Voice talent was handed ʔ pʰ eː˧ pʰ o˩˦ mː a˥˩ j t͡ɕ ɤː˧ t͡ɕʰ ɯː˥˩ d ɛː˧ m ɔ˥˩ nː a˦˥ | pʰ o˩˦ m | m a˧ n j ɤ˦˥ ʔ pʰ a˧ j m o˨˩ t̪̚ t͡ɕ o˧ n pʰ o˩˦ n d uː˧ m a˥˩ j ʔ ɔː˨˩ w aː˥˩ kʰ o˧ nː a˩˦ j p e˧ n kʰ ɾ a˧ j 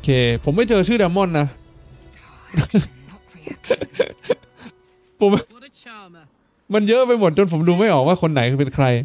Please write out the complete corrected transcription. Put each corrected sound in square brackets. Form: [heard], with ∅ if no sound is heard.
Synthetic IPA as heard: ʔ [kʰ] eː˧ pʰ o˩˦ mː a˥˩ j t͡ɕ ɤː˧ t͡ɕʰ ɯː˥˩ d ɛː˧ m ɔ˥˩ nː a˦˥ | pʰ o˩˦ m | m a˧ n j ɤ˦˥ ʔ [p] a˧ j m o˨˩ t̪̚ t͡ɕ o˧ n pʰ o˩˦ [m] d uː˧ m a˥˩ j ʔ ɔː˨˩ w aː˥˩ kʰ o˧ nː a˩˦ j p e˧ n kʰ ɾ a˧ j